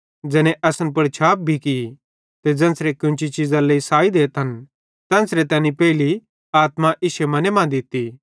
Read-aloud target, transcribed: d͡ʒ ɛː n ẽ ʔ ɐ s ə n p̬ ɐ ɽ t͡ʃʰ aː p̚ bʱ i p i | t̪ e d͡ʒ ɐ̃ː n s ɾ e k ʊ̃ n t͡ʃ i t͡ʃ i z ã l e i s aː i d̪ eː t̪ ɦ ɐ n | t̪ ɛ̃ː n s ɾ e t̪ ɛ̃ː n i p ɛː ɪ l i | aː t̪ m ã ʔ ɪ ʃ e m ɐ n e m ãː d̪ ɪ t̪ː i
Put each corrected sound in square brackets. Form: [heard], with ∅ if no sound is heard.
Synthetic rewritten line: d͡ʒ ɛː n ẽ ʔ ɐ s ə n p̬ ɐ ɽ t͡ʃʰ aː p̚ bʱ i [k] i | t̪ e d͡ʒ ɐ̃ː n s ɾ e k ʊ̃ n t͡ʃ i t͡ʃ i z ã l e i s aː i d̪ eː t̪ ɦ ɐ n | t̪ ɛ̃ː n s ɾ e t̪ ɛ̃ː n i p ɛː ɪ l i | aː t̪ m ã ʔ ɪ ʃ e m ɐ n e m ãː d̪ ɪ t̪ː i